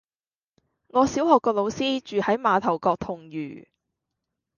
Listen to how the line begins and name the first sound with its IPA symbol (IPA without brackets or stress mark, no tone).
ŋ